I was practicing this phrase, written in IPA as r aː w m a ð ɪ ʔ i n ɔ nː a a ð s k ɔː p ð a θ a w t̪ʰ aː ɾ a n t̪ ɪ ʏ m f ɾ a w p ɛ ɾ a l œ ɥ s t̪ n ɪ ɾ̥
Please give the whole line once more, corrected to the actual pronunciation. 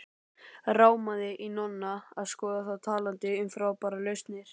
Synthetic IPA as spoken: r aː w m a ð ɪ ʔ i n ɔ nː a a ð s k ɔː ð a θ a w t̪ʰ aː l a n t̪ ɪ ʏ m f ɾ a w p a ɾ a l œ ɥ s t̪ n ɪ ɾ̥

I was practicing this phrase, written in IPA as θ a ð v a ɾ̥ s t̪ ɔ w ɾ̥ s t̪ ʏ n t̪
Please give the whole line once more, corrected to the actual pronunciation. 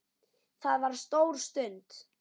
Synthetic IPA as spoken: θ a ð v a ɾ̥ s t̪ o w ɾ̥ s t̪ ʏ n t̪

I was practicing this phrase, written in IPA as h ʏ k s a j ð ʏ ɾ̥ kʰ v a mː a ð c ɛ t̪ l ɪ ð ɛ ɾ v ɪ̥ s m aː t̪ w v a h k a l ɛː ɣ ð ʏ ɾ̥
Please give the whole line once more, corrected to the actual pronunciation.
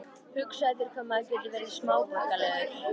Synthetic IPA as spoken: h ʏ k s a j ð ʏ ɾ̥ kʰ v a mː a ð c ɛ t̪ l ɪ v ɛ ɾ ð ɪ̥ s m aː w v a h k a l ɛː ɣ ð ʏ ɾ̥

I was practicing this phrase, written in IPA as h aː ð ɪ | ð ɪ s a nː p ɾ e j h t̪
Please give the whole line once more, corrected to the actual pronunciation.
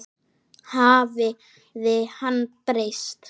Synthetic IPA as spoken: h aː v ɪ | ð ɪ h a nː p ɾ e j s t̪

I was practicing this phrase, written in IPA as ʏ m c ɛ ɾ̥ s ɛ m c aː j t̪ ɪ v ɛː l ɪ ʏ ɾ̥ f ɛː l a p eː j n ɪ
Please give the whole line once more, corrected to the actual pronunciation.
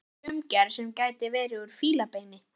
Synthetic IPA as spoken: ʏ m c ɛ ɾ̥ s ɛ m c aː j t̪ ɪ v ɛː ɾ ɪ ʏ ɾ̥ f iː l a p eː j n ɪ

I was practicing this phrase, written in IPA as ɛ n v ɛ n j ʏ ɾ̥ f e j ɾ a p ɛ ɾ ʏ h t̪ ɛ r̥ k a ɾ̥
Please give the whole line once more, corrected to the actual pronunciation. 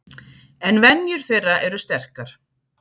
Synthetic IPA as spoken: ɛ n v ɛ n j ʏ ɾ̥ θ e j r a ʔ ɛ ɾ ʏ s t̪ ɛ r̥ k a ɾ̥

